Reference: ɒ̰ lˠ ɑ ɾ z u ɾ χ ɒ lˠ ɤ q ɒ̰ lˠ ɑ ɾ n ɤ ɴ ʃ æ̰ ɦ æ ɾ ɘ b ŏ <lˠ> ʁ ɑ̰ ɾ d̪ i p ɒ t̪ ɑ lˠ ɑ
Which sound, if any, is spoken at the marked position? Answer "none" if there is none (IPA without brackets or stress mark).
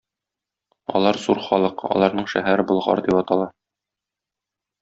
lˠ